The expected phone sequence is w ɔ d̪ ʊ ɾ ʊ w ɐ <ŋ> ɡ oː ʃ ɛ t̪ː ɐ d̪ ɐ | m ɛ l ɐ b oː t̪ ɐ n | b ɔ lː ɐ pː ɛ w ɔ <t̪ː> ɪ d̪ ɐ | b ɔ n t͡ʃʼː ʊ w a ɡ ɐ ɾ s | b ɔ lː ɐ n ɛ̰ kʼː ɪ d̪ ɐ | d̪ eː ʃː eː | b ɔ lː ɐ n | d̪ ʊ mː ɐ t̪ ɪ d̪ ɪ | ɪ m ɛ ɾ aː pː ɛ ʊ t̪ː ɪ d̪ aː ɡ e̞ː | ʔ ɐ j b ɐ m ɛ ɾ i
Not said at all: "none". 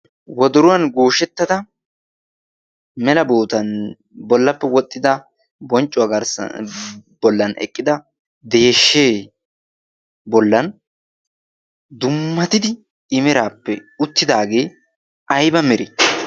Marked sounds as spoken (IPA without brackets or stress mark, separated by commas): n, t̪ʼː